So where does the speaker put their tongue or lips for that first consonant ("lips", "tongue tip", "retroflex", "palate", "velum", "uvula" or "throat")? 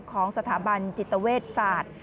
velum